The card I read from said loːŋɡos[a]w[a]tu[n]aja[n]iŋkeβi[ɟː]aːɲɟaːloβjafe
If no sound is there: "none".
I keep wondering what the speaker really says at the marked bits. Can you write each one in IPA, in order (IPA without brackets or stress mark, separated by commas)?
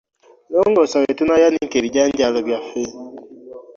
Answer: a, e, n, n, ɟ